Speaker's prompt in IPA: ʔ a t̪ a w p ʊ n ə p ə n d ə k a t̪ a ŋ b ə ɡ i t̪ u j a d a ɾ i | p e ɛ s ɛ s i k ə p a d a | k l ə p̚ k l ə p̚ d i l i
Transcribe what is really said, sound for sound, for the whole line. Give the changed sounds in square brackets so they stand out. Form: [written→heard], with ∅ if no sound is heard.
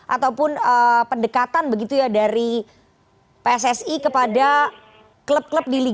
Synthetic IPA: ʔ a t̪ a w p ʊ n ə p ə n d ə k a t̪ a [ŋ→n] b ə ɡ i t̪ u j a d a ɾ i | p e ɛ s ɛ s i k ə p a d a | k l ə p̚ k l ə p̚ d i l i